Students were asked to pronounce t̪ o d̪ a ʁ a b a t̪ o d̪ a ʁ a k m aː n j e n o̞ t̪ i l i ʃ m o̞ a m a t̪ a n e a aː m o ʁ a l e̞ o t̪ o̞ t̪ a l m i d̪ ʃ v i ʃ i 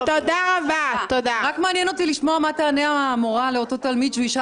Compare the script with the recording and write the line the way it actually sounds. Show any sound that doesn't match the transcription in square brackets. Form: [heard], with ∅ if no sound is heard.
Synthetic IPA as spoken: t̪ o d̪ a ʁ a b a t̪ o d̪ a ʁ a k m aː n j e n o̞ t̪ i l i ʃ m o̞ a m a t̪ a n e a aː m o ʁ a l e̞ o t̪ o̞ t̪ a l m i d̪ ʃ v i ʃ [a]